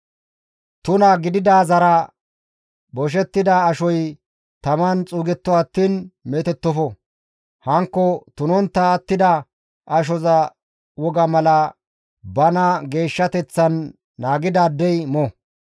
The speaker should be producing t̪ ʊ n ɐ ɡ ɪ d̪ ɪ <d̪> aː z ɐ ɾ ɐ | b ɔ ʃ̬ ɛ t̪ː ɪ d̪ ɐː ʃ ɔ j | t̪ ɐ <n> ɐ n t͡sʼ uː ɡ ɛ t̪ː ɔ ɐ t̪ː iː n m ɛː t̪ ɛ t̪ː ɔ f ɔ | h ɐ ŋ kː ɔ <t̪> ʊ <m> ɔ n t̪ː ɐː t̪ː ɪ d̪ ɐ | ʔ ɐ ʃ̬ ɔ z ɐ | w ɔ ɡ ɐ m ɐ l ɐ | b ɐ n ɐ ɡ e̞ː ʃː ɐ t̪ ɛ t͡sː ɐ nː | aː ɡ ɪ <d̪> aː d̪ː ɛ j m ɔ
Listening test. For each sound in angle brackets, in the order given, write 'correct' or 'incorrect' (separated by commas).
correct, incorrect, correct, incorrect, correct